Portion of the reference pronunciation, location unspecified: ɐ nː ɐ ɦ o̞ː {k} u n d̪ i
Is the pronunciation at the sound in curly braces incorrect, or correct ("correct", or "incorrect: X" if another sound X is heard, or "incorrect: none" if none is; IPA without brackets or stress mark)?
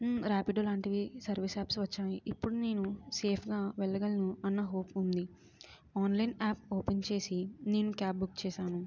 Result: incorrect: p